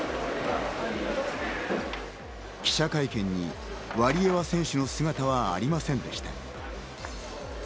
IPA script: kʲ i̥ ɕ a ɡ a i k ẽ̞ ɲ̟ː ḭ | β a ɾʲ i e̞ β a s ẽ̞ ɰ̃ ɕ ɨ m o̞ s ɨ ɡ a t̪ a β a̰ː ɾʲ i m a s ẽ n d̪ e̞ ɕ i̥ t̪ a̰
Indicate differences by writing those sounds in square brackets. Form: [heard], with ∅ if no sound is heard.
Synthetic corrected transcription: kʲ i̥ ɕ a [k] a i k ẽ̞ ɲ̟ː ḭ | β a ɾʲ i e̞ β a s ẽ̞ ɰ̃ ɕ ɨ [n] o̞ s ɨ ɡ a t̪ a β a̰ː ɾʲ i m a s ẽ n d̪ e̞ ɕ i̥ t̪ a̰